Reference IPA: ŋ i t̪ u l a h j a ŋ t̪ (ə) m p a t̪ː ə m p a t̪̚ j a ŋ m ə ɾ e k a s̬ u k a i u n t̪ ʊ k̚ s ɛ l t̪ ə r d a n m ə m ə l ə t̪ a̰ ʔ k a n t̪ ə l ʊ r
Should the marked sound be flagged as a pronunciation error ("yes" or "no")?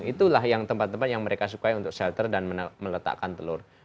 no